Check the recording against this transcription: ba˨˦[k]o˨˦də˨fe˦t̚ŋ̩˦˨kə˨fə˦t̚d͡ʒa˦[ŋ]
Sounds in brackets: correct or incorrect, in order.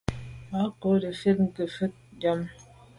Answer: correct, incorrect

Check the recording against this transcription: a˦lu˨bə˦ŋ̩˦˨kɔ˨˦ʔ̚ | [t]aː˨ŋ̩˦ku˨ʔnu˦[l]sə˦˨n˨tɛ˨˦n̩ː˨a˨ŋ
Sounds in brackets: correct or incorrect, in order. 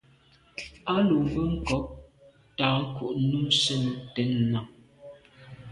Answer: correct, incorrect

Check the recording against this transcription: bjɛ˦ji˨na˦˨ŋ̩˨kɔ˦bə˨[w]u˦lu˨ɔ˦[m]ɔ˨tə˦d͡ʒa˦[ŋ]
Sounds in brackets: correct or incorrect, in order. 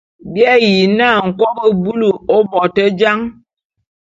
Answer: incorrect, incorrect, correct

